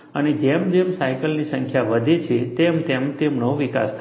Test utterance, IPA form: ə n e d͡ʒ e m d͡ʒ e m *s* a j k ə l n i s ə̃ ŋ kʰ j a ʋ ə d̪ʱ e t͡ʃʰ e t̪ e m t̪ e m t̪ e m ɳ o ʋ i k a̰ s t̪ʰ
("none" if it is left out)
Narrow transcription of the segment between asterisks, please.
s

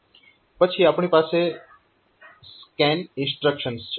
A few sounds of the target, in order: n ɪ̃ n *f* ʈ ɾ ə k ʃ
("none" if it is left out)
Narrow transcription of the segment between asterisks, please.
s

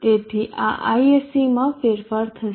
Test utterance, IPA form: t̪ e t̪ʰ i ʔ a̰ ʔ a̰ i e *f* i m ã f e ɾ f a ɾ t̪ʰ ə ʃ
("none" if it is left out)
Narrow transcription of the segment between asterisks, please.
s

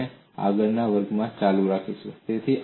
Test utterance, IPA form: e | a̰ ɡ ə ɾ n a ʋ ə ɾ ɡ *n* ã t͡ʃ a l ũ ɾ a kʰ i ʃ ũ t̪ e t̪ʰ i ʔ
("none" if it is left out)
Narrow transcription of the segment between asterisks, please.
m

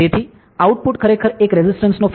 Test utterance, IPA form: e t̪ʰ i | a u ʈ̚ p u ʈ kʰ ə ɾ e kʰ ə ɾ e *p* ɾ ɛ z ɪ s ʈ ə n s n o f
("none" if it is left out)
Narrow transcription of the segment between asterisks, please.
k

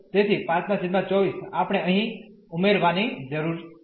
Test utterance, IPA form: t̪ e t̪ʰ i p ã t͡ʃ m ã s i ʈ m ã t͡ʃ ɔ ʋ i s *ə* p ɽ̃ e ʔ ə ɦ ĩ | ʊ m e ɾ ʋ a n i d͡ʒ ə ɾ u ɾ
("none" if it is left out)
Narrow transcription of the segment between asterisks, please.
a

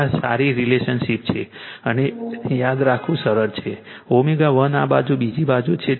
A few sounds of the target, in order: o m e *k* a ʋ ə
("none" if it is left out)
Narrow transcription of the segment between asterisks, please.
ɡ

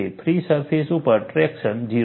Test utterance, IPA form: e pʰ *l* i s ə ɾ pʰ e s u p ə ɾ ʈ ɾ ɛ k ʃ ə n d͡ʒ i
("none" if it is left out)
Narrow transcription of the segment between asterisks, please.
ɾ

